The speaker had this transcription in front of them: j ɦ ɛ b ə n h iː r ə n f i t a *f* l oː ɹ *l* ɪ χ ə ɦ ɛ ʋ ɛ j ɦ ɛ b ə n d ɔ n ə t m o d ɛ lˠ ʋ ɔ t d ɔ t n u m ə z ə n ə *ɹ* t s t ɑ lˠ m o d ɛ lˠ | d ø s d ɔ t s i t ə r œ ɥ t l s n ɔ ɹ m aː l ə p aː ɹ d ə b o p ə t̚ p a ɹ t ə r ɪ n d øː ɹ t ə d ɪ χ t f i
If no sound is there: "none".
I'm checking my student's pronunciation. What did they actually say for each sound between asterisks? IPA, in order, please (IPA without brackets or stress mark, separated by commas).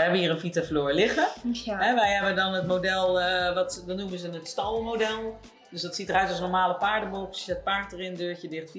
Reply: f, l, none